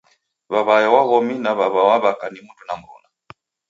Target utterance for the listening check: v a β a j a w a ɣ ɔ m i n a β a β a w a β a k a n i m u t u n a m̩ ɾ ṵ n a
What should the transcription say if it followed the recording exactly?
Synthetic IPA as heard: β a β a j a w a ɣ ɔ m i n a β a β a w a β a k a n i m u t u n a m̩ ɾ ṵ n a